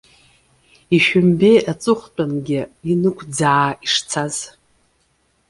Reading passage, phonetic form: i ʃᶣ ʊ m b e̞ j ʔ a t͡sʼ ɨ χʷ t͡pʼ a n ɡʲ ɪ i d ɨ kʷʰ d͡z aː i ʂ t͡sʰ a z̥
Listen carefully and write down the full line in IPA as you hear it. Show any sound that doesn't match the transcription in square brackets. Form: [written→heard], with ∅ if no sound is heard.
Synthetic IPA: i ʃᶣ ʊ m b e̞ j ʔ a t͡sʼ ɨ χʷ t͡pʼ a n ɡʲ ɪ i [d→n] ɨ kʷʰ d͡z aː i ʂ t͡sʰ a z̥